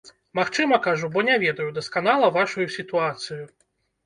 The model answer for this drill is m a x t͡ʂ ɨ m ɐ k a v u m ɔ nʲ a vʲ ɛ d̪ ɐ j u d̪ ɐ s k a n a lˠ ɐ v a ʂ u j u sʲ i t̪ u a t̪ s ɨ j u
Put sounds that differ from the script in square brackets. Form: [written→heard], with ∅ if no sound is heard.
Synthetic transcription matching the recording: m a x t͡ʂ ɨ m ɐ k a [v→ʐ] u [m→b] ɔ nʲ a vʲ ɛ d̪ ɐ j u d̪ ɐ s k a n a lˠ ɐ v a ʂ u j u sʲ i t̪ u a t̪ s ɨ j u